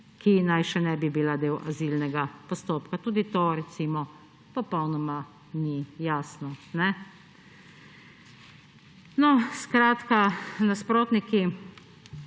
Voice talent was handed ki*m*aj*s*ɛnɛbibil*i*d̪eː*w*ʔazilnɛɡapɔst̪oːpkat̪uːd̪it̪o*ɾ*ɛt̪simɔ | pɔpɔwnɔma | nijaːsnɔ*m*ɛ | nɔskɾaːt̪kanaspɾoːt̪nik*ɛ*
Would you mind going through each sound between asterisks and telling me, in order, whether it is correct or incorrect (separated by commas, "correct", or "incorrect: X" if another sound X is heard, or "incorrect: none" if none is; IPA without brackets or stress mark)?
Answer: incorrect: n, incorrect: ʃ, incorrect: a, correct, correct, incorrect: n, incorrect: i